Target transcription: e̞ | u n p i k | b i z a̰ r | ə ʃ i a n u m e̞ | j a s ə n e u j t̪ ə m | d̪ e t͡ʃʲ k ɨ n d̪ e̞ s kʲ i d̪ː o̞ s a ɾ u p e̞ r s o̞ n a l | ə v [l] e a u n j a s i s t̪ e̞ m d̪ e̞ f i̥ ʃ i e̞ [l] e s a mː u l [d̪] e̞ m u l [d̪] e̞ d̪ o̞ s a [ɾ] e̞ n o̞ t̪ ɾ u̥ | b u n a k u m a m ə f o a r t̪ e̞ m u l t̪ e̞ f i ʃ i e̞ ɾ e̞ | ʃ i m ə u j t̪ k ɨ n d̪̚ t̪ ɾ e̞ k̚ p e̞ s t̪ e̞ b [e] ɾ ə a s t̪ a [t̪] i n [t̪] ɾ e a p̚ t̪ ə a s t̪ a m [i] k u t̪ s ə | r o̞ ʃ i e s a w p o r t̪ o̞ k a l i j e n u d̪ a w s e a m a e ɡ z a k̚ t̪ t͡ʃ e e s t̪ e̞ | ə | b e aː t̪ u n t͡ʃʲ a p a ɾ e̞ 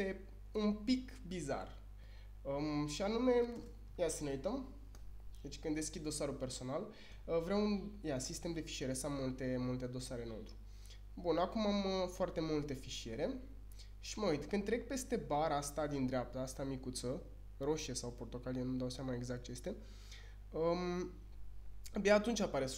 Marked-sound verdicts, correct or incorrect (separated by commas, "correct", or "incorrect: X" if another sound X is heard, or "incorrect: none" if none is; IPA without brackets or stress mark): incorrect: ɾ, incorrect: ɾ, incorrect: t̪, incorrect: t̪, correct, incorrect: a, incorrect: d̪, incorrect: d̪, correct